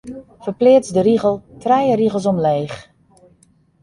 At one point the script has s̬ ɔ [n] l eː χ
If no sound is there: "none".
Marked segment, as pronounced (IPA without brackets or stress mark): m